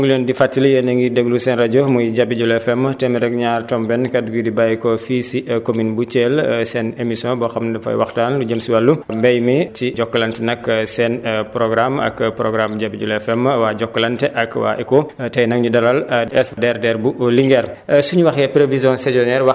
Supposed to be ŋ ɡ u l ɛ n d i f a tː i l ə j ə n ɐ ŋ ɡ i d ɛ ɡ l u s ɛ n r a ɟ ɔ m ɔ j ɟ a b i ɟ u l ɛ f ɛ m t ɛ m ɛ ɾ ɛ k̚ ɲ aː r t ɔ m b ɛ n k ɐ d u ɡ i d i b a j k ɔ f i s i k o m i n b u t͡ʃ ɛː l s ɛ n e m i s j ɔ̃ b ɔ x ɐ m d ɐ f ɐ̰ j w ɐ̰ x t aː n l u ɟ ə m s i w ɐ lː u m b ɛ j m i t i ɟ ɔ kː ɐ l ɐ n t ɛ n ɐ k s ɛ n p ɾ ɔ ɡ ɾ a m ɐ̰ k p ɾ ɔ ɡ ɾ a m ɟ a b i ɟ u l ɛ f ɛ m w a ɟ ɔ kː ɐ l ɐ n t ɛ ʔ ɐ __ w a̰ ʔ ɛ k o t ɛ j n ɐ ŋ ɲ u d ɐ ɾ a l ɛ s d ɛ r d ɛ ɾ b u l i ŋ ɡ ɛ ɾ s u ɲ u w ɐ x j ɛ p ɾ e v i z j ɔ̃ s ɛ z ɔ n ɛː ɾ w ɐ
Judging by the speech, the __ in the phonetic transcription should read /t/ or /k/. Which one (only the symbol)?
k